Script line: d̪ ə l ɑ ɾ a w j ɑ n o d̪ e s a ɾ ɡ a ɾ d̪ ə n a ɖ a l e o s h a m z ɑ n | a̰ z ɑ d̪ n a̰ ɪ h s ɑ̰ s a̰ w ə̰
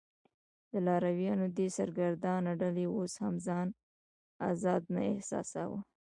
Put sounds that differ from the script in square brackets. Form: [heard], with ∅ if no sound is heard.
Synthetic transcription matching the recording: d̪ ə l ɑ ɾ a w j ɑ n o d̪ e s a ɾ ɡ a ɾ d̪ [ɑ] n a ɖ a l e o s h a m z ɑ n | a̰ z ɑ d̪ n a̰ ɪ h s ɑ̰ s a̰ w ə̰